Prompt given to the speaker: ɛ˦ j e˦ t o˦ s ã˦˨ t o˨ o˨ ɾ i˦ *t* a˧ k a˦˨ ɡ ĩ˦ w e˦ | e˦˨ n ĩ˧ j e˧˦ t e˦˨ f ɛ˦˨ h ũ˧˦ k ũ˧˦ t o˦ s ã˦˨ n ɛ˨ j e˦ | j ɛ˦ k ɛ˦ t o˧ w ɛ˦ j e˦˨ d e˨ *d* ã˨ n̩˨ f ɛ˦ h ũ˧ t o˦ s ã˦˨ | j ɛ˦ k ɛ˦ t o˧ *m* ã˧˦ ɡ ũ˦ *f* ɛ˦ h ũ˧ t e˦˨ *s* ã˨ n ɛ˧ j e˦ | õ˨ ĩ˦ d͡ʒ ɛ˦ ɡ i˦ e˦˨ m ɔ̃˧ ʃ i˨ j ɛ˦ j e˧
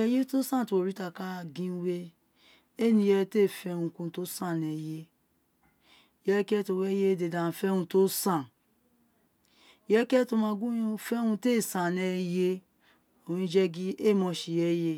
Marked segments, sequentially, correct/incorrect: correct, correct, correct, correct, correct

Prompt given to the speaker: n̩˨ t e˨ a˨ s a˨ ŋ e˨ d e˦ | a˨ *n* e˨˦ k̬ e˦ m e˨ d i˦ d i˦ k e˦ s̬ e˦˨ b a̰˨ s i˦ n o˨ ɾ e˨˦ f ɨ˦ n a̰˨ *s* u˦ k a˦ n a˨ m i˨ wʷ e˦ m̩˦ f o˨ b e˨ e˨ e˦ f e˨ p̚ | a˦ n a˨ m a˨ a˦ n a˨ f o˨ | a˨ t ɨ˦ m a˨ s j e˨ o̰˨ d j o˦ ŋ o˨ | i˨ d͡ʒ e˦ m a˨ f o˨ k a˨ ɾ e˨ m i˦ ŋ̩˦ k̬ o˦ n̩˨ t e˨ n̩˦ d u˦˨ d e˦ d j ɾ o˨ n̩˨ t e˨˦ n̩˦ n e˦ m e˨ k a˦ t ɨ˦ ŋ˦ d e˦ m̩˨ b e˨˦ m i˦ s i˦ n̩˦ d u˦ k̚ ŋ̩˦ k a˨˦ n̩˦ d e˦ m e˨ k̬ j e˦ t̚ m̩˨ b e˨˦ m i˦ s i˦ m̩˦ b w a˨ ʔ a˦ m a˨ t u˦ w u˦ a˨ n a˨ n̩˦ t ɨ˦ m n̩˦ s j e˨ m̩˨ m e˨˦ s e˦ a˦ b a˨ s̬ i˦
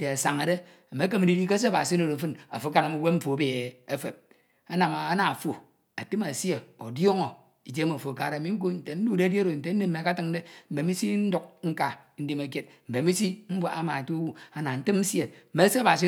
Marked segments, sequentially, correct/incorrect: incorrect: m, incorrect: f

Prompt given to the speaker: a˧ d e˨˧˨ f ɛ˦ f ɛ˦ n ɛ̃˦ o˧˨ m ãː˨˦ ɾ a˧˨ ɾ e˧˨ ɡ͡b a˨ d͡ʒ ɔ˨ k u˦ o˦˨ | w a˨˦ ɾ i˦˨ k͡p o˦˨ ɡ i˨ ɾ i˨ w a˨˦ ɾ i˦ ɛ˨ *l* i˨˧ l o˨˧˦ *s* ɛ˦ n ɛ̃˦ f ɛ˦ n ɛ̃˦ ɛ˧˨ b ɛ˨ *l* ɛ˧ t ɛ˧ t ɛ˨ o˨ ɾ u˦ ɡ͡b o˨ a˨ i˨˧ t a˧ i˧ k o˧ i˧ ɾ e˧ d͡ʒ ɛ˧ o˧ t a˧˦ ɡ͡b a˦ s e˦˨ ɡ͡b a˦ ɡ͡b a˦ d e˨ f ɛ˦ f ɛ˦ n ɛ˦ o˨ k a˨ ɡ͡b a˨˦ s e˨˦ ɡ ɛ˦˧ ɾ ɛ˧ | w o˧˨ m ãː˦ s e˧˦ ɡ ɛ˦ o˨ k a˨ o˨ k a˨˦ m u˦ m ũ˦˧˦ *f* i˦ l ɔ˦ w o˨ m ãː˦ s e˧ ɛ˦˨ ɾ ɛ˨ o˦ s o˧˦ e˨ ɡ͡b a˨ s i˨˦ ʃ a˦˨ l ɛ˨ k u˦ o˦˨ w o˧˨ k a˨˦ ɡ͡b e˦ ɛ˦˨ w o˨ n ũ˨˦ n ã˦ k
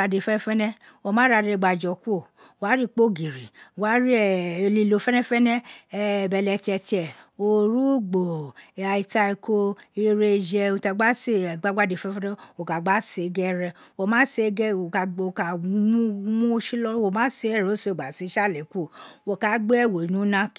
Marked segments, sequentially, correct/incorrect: correct, incorrect: f, correct, incorrect: ʃ

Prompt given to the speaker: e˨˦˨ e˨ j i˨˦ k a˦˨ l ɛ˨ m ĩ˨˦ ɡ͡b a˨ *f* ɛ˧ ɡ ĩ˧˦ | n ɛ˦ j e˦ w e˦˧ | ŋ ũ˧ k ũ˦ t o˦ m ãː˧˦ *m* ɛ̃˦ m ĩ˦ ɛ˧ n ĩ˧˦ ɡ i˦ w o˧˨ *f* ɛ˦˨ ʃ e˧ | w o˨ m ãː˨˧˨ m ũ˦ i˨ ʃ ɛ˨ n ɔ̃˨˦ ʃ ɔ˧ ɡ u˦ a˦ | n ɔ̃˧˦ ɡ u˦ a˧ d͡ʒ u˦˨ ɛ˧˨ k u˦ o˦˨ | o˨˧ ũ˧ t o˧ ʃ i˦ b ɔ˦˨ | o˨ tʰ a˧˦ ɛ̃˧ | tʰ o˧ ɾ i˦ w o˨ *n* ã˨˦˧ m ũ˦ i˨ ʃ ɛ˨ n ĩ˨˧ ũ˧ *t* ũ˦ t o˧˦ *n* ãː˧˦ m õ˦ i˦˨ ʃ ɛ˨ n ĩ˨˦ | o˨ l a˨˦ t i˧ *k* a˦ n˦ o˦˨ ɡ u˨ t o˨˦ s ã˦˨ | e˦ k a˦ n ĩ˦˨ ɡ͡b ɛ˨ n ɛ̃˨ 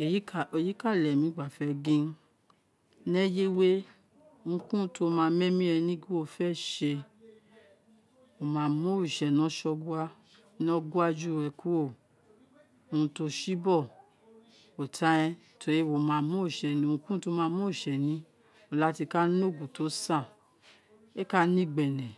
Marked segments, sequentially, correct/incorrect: correct, correct, correct, incorrect: m, incorrect: k, incorrect: m, correct

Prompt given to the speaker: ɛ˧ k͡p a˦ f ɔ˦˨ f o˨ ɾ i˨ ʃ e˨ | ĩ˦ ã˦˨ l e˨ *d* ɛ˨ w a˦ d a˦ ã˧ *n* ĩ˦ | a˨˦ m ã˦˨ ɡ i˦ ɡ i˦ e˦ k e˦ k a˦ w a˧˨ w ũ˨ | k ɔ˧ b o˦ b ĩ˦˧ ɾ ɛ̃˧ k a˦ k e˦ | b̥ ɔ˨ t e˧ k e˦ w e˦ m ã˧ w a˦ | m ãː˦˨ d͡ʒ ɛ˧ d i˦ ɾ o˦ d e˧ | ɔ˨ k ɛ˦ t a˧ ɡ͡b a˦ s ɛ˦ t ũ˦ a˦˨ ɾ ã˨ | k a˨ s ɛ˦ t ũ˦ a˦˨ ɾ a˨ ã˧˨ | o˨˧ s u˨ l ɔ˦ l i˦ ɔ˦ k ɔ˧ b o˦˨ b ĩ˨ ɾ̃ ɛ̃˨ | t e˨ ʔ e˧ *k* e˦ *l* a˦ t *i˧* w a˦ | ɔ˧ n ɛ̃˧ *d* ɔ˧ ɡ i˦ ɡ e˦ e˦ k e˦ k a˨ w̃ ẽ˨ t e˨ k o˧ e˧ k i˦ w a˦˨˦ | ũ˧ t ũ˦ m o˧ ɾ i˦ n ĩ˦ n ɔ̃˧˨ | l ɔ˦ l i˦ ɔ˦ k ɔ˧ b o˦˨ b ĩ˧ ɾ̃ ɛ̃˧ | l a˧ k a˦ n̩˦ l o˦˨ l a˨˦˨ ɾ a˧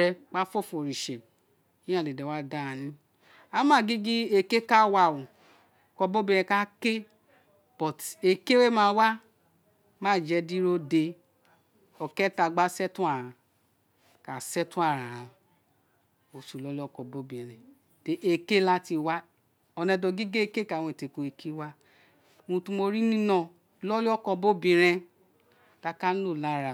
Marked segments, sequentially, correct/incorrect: correct, correct, correct, correct, correct, correct

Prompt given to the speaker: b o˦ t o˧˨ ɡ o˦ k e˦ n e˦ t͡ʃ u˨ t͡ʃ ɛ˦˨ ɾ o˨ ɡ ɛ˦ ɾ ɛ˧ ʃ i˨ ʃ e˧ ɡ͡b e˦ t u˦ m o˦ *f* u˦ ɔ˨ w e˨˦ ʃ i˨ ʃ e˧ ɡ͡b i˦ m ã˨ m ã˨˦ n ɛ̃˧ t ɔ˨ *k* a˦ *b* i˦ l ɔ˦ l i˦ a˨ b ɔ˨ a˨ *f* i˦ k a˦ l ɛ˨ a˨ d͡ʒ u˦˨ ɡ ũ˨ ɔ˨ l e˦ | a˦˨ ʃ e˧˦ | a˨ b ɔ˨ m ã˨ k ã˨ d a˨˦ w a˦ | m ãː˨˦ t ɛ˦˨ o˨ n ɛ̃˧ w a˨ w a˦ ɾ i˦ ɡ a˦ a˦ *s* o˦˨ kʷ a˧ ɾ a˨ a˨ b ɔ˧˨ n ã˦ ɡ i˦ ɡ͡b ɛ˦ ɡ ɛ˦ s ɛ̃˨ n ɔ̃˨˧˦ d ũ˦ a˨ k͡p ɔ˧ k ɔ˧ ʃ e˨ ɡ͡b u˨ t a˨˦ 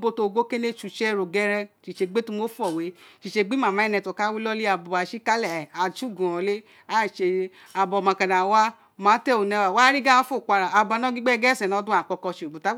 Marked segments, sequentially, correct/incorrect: correct, correct, incorrect: w, incorrect: ʃ, incorrect: f

